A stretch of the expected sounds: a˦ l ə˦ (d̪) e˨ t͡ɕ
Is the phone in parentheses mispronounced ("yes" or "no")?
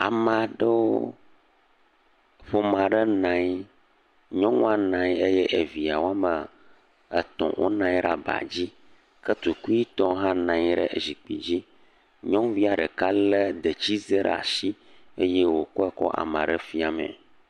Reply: no